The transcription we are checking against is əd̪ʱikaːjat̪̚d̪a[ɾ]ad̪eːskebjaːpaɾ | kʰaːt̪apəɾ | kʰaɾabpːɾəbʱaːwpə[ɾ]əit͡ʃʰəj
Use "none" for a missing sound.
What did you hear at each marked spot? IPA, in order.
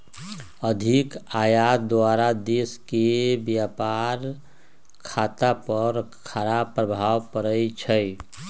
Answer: ɾ, ɾ

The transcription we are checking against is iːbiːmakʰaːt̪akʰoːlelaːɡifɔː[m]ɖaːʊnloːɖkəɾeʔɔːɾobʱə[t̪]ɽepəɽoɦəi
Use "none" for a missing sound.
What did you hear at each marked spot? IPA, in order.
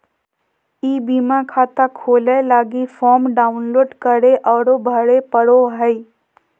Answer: m, none

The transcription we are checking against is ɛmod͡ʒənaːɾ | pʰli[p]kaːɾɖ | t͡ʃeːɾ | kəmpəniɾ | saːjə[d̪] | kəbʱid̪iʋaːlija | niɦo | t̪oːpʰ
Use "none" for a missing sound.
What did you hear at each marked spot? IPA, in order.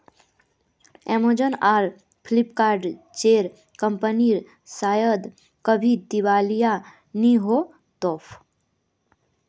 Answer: p, d̪

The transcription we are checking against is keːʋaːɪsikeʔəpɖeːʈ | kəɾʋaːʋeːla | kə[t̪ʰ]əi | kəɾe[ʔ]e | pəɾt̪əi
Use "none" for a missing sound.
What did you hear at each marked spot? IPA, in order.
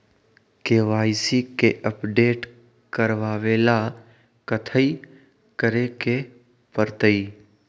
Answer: t̪ʰ, k

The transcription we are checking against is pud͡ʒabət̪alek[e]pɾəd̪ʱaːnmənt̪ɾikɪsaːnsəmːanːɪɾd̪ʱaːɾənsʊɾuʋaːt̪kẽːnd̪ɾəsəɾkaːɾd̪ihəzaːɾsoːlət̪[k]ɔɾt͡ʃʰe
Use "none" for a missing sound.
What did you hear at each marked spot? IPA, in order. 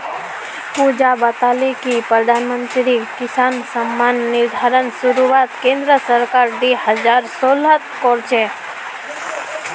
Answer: i, k

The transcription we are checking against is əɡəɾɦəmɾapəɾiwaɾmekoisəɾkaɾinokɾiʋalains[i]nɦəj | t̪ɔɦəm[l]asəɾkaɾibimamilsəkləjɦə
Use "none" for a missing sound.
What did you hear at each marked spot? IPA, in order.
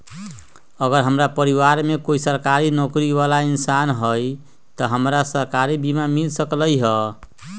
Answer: a, ɾ

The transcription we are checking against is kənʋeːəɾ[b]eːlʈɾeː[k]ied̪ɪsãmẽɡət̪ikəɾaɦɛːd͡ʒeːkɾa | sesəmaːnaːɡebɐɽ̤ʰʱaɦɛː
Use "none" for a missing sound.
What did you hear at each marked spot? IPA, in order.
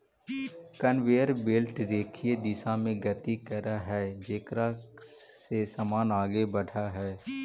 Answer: b, kʰ

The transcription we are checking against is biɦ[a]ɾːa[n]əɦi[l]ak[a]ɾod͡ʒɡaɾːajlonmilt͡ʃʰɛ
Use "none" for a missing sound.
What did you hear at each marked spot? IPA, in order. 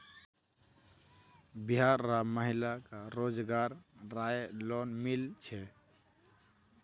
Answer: a, m, l, a

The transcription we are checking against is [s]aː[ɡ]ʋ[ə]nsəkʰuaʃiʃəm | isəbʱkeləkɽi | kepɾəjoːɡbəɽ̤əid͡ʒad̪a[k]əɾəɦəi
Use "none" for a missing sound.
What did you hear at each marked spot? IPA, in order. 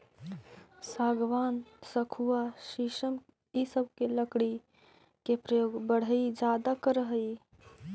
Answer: s, ɡ, a, k

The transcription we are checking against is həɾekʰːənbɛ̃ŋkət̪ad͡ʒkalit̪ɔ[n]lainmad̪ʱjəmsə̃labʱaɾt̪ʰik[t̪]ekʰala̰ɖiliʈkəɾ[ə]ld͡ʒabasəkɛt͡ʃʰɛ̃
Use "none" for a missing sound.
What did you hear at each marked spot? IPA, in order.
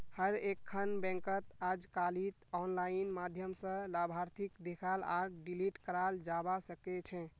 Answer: n, d̪, a

